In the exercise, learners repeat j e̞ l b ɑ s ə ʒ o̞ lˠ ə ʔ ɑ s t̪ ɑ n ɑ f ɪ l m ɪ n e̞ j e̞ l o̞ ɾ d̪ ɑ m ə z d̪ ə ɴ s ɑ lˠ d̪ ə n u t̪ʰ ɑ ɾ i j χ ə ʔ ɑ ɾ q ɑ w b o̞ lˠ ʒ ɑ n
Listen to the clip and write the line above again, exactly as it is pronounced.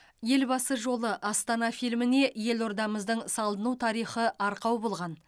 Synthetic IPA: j e̞ l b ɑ s ə ʒ o̞ lˠ ə ʔ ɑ s t̪ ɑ n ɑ f i l m ɪ n e̞ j e̞ l o̞ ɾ d̪ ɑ m ə z d̪ ə ɴ s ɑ lˠ d̪ ə n u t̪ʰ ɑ ɾ i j χ ə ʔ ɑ ɾ q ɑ w b o̞ lˠ ʁ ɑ n